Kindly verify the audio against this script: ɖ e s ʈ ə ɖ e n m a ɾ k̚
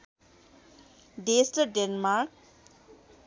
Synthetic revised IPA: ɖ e s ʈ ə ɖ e n m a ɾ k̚